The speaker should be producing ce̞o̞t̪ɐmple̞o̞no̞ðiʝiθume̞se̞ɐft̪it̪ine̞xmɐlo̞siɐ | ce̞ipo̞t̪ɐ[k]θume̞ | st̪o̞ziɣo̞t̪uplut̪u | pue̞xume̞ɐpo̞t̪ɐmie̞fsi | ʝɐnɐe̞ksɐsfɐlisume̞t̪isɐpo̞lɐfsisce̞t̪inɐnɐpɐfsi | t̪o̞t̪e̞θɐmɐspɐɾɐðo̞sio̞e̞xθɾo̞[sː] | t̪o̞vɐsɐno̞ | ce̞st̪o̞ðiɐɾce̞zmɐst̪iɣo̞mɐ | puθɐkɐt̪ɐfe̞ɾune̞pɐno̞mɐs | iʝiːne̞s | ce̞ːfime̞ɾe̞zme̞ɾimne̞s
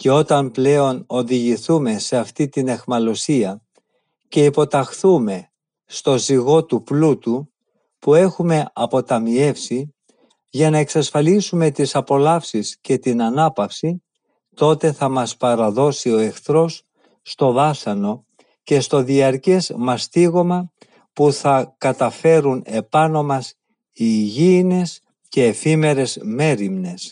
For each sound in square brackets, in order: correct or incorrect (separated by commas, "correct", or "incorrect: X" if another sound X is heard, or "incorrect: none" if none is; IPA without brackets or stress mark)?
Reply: incorrect: x, correct